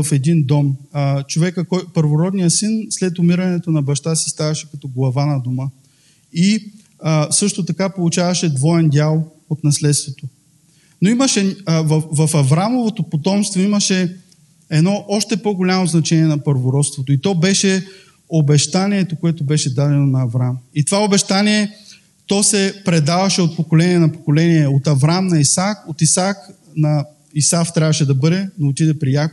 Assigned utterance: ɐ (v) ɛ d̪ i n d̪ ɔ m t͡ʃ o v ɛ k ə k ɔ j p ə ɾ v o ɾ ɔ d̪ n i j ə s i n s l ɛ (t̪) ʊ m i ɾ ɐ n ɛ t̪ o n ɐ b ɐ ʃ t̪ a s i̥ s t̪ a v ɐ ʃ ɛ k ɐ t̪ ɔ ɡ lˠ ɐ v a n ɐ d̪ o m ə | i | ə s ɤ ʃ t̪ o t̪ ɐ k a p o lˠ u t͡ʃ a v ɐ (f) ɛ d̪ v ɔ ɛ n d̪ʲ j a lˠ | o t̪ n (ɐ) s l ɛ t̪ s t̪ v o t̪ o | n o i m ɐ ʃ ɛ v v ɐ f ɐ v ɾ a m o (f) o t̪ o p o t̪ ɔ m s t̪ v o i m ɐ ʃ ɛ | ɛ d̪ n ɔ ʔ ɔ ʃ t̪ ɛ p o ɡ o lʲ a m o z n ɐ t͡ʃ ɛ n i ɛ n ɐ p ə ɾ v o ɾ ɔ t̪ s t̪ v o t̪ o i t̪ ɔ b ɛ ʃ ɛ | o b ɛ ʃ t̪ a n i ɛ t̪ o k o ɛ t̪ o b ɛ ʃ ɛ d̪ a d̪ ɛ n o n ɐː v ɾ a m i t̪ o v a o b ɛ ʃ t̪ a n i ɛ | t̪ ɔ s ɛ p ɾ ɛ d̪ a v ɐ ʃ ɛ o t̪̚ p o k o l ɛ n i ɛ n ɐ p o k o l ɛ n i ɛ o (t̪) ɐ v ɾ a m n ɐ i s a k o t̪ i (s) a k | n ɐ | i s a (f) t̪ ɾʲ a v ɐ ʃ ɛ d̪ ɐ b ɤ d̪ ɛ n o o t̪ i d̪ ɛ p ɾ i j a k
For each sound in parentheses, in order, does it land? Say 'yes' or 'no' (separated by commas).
no, yes, no, yes, no, yes, yes, yes